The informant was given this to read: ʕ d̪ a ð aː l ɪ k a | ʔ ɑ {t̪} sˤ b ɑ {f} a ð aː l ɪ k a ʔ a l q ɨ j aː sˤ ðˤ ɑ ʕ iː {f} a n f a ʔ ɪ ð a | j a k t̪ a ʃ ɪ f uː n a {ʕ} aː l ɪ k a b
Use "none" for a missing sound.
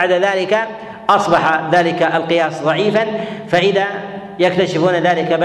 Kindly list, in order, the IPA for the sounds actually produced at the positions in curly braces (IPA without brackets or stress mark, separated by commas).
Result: none, ħ, f, ð